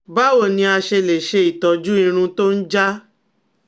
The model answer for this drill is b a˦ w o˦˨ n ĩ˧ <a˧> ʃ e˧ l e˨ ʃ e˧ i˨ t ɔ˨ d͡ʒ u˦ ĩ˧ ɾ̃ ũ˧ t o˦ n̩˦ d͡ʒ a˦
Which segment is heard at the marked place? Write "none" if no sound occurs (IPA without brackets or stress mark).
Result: a˧